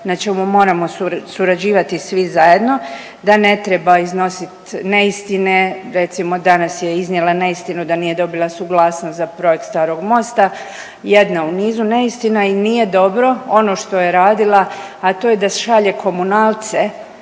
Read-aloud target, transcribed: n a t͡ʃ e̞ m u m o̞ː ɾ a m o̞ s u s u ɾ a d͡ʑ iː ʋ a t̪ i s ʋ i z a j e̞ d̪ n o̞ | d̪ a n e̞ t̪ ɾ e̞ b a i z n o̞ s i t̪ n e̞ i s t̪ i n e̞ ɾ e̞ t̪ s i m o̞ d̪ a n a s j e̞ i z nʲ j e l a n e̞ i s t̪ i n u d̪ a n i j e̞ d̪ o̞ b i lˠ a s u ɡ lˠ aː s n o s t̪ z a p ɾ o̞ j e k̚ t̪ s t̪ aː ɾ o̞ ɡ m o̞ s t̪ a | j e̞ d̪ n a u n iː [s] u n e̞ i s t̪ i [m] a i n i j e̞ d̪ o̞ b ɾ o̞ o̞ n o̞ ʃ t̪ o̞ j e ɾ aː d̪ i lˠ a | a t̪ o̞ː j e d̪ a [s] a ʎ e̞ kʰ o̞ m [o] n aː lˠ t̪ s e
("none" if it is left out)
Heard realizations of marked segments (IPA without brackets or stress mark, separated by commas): z, n, ʃ, u